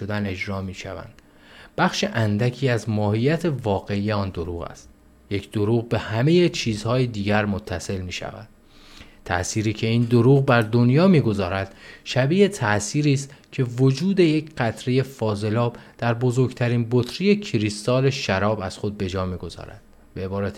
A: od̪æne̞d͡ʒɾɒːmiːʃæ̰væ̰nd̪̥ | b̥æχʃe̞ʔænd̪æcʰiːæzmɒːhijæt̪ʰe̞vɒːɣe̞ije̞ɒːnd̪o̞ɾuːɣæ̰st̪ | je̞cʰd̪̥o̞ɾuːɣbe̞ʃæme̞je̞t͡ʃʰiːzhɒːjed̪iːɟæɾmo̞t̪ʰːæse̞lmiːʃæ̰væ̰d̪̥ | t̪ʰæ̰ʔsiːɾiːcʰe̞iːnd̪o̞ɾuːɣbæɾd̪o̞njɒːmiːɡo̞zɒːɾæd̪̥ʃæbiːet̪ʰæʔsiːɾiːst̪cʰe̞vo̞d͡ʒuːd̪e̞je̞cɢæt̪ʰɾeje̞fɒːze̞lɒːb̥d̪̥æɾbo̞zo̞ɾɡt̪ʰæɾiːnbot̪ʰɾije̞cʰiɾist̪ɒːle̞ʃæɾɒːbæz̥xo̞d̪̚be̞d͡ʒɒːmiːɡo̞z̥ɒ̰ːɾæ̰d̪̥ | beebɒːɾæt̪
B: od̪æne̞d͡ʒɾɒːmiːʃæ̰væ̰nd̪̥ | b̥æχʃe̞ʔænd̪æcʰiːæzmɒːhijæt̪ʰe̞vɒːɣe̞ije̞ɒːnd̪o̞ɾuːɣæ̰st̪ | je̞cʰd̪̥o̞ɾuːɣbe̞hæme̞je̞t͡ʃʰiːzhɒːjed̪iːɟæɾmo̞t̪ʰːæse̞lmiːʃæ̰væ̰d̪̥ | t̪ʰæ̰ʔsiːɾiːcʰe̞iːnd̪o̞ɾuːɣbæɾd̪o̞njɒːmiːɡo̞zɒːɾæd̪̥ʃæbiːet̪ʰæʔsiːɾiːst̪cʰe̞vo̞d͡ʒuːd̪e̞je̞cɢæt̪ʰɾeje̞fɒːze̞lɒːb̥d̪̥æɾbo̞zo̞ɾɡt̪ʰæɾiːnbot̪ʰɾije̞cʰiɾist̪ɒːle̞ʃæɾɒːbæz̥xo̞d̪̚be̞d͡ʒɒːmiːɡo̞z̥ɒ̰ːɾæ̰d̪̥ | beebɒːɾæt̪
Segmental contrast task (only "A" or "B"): B